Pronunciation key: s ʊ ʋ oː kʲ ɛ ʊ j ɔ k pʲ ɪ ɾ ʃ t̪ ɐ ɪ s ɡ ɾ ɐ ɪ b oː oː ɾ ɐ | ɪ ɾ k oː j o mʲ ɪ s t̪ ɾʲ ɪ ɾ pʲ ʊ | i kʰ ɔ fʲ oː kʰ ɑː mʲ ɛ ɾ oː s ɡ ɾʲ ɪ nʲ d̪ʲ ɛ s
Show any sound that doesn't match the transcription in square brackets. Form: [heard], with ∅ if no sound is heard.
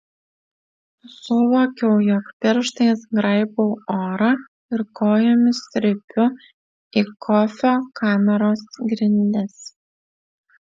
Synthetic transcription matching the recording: s ʊ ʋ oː kʲ ɛ ʊ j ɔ k pʲ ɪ ɾ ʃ t̪ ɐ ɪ s ɡ ɾ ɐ ɪ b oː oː ɾ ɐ | ɪ ɾ k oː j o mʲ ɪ s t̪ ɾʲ ɪ [∅] pʲ ʊ | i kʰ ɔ fʲ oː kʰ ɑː mʲ ɛ ɾ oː s ɡ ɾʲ ɪ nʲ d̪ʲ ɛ s